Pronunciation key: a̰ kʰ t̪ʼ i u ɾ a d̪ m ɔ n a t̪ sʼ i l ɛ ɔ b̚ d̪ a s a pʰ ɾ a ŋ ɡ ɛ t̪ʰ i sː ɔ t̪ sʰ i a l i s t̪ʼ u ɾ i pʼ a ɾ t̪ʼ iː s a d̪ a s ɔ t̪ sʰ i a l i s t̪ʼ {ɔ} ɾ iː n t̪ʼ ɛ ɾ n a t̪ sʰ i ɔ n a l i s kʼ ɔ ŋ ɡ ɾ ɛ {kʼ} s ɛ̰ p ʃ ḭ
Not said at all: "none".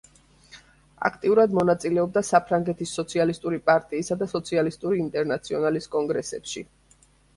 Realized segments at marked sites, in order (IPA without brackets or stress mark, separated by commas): u, none